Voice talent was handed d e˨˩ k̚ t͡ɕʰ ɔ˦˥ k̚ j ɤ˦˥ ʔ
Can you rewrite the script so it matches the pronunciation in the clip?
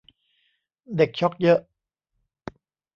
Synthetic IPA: d e˨˩ k̚ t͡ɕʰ ɔ˦˥ k̚ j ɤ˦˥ ʔ

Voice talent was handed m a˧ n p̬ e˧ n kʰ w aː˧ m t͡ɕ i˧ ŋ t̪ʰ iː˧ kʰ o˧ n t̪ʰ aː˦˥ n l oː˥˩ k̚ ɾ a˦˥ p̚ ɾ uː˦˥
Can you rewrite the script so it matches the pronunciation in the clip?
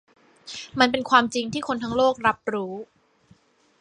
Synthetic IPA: m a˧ n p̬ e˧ n kʰ w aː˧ m t͡ɕ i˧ ŋ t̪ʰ iː˥˩ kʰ o˧ n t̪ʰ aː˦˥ ŋ l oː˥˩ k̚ ɾ a˦˥ p̚ ɾ uː˦˥

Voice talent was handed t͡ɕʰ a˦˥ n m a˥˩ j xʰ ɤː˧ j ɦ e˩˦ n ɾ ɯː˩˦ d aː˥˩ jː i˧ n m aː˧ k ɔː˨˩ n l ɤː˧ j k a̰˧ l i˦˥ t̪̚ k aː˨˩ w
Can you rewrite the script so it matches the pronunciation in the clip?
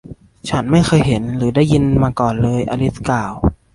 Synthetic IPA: t͡ɕʰ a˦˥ n m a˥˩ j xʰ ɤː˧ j ɦ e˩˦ n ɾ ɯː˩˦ d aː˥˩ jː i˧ n m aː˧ k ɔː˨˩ n l ɤː˧ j ʔ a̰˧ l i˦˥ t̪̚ k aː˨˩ w

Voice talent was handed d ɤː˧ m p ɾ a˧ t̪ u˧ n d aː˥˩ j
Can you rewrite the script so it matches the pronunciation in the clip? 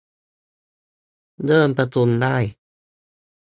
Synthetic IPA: d ɤː˥˩ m p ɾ a˧ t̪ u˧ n d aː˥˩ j

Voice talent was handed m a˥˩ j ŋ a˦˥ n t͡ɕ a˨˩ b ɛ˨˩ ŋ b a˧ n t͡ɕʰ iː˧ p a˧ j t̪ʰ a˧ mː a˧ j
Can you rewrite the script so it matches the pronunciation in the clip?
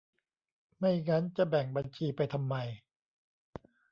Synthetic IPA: m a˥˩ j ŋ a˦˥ n t͡ɕ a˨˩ b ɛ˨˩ ŋ b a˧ n t͡ɕʰ iː˧ p a˧ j t̪ʰ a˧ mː a˧ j

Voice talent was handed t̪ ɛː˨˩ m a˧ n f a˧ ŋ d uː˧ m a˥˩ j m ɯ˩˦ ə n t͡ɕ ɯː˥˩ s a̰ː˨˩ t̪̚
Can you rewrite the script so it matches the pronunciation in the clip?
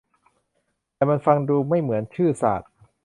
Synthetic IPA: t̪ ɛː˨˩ m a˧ n f a˧ ŋ d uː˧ m a˥˩ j m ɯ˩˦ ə n t͡ɕʰ ɯː˥˩ s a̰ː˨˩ t̪̚

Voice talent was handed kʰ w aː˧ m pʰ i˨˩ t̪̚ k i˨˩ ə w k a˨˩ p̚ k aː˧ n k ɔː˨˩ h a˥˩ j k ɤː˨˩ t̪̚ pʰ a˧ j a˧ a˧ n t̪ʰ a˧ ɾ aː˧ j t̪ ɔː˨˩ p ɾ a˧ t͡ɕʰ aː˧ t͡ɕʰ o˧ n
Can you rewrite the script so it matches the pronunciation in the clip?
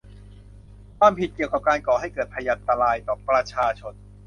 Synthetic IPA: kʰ w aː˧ m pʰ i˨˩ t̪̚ k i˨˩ ə w k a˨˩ p̚ k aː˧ n k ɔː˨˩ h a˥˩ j k ɤː˨˩ t̪̚ pʰ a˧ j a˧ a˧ n t̪ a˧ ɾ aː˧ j t̪ ɔː˨˩ p ɾ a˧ t͡ɕʰ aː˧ t͡ɕʰ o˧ n

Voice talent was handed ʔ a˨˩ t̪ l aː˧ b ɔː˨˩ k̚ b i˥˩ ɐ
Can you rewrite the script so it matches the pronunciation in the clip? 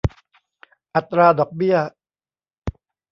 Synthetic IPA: ʔ a˨˩ t̪ ɾ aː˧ d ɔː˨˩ k̚ b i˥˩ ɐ

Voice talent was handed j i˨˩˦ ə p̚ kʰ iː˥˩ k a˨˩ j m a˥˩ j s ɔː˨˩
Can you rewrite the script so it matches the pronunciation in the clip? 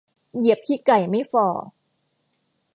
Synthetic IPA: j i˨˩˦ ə p̚ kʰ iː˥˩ k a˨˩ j m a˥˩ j f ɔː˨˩

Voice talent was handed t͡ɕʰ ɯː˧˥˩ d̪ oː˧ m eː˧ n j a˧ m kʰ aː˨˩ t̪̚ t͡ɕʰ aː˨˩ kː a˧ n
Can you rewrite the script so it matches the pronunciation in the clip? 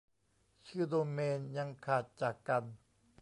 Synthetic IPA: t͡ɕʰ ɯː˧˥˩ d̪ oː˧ m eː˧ n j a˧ ŋ kʰ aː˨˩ t̪̚ t͡ɕ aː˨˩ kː a˧ n

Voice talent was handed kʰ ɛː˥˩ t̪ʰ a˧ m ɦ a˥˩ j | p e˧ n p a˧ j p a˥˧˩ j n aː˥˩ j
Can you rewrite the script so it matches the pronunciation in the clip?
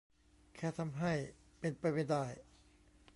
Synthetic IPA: kʰ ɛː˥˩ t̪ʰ a˧ m ɦ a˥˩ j | p e˧ n p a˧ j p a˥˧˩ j d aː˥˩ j

